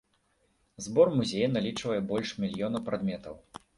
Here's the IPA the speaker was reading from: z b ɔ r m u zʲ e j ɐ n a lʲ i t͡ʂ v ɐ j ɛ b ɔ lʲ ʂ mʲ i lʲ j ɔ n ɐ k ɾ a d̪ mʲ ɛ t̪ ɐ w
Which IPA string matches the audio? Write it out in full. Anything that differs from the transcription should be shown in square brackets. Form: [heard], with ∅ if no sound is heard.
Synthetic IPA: z b ɔ r m u zʲ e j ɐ n a lʲ i t͡ʂ v ɐ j ɛ b ɔ lʲ ʂ mʲ i lʲ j ɔ n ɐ [p] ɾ a d̪ mʲ ɛ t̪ ɐ w